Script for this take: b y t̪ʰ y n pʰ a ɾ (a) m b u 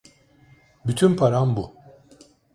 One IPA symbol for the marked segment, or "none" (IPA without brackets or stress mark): a